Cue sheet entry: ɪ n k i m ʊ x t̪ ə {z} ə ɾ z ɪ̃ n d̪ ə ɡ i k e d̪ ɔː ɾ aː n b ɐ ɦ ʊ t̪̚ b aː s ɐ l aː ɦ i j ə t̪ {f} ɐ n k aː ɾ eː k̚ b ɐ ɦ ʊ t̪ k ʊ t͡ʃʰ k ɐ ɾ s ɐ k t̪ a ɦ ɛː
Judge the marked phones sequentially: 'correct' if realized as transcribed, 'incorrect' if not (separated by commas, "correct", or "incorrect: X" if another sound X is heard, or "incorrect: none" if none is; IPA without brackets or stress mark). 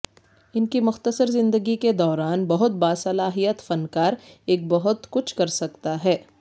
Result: incorrect: s, correct